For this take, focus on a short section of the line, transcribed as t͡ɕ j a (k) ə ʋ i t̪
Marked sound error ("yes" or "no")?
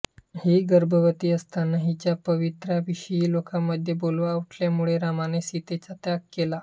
yes